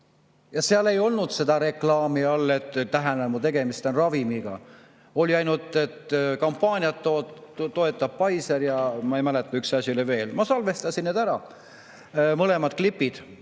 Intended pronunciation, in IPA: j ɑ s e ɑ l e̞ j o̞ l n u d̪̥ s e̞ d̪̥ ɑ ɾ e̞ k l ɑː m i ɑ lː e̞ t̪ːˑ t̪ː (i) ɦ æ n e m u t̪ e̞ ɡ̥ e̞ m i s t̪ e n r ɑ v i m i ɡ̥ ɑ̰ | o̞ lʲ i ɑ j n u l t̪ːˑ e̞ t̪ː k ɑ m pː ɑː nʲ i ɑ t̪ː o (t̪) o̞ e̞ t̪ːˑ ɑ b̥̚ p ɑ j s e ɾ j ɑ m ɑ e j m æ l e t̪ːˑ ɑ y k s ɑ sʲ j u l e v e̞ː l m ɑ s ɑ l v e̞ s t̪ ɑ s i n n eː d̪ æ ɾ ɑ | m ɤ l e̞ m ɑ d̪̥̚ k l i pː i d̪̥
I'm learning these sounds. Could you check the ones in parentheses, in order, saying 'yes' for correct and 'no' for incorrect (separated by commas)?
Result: no, yes